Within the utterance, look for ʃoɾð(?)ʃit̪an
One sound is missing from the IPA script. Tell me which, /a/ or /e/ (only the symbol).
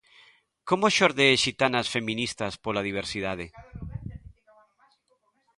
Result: e